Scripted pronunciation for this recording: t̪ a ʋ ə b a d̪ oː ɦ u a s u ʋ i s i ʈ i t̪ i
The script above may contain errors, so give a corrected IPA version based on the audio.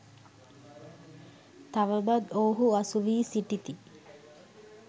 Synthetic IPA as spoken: t̪ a ʋ ə b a d̪ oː ɦ u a s u ʋ iː s i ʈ i t̪ i